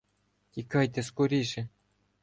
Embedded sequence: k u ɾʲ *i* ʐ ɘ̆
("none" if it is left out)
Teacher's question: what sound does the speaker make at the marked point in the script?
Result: i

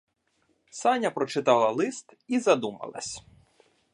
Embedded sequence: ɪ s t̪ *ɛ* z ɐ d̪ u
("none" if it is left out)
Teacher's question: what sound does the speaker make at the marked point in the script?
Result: i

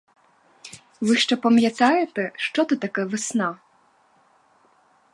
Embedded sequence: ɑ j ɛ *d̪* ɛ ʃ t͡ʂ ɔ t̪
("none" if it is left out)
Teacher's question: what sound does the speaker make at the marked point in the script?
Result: t̪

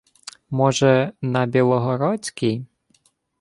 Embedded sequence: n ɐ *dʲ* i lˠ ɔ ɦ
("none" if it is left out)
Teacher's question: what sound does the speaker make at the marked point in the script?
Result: bʲ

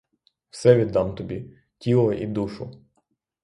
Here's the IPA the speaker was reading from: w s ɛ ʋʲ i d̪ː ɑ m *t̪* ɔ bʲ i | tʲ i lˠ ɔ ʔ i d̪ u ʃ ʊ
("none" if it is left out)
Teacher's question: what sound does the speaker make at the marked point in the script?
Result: t̪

